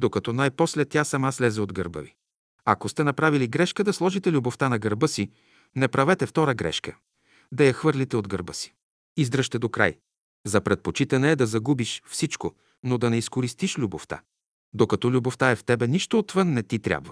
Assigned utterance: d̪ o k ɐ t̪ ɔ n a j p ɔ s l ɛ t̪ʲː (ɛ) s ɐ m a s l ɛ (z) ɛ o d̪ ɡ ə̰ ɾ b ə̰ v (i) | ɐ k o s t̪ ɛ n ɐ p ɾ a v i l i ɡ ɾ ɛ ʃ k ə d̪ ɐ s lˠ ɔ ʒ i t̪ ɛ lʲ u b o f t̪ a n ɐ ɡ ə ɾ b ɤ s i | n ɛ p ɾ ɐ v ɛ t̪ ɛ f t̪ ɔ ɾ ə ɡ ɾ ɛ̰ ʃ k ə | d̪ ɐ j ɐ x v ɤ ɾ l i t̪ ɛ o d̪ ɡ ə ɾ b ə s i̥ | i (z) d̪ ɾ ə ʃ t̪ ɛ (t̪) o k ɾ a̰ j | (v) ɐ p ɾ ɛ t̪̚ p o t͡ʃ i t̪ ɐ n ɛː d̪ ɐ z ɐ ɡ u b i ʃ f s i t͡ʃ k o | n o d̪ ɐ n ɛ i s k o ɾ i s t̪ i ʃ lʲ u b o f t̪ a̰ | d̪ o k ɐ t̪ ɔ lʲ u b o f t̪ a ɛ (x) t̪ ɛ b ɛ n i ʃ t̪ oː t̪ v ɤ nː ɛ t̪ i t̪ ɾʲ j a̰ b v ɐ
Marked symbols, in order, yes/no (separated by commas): no, yes, yes, yes, no, no, no